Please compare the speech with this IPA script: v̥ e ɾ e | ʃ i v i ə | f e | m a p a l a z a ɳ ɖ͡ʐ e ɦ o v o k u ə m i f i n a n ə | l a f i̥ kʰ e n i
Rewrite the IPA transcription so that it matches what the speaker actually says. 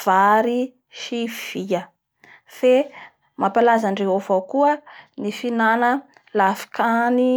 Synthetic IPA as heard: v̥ a ɾ i | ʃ i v i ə | f e | m a p a l a z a ɳ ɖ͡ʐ e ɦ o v o k u ə n i f i n a n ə | l a f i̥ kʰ a n i